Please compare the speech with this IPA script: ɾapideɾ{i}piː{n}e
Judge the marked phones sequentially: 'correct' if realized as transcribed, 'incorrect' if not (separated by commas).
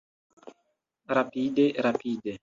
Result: incorrect, incorrect